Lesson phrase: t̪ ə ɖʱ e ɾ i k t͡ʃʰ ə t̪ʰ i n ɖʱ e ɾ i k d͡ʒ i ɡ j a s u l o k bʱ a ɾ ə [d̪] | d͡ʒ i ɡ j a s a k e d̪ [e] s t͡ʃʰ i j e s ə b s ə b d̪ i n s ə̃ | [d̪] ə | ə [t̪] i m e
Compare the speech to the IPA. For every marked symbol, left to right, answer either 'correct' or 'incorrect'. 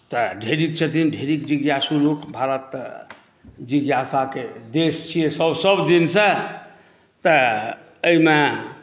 incorrect: t̪, correct, incorrect: t̪, incorrect: none

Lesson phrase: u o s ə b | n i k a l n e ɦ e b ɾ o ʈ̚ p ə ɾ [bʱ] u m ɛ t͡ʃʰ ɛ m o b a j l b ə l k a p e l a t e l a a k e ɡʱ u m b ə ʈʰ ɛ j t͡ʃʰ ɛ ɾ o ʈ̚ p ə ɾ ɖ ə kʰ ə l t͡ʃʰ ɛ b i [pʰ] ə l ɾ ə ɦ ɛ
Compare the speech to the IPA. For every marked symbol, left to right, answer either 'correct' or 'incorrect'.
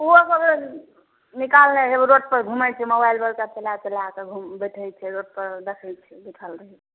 incorrect: ɡʱ, incorrect: ʈʰ

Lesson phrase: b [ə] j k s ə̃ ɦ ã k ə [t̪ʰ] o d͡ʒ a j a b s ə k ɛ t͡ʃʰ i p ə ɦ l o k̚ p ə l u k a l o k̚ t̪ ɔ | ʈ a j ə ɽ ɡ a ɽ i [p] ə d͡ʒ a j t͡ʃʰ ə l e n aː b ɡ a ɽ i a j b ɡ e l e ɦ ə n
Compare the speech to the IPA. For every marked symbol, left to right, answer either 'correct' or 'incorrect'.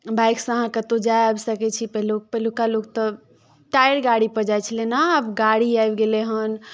incorrect: a, incorrect: t̪, correct

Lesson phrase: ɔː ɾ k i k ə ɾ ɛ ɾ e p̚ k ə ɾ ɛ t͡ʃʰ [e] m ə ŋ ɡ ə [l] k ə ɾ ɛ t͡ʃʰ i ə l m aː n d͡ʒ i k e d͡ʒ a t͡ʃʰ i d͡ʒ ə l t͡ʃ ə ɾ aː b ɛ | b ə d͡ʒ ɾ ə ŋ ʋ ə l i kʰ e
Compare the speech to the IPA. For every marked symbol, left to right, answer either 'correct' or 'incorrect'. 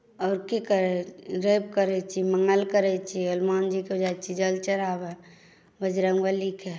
incorrect: i, correct

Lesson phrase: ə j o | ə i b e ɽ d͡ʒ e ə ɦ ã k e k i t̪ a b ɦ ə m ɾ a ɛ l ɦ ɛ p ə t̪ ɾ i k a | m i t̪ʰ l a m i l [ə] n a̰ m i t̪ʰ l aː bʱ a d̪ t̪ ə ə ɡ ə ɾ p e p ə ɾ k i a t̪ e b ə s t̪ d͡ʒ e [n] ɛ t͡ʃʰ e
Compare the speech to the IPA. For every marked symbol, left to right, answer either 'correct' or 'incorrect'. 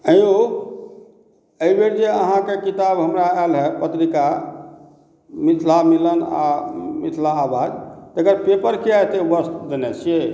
correct, correct

